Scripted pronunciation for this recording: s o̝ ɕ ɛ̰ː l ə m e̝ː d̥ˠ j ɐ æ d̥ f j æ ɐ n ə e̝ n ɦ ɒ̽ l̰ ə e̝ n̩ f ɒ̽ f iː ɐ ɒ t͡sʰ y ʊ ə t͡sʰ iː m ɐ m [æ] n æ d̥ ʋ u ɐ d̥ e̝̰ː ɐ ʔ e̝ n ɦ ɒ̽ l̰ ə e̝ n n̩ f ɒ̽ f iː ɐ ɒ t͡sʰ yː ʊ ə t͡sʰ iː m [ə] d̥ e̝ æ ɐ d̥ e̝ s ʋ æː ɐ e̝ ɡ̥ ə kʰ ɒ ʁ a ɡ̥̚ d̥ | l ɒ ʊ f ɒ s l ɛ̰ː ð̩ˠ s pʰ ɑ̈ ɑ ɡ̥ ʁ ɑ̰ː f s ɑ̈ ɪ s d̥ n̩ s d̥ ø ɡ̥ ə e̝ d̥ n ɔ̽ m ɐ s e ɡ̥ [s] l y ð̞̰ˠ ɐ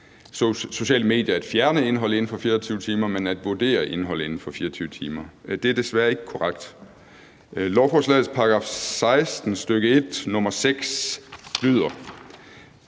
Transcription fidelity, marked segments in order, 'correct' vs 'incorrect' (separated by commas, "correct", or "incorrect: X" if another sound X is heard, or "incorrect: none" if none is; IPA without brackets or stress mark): incorrect: e, incorrect: ɐ, correct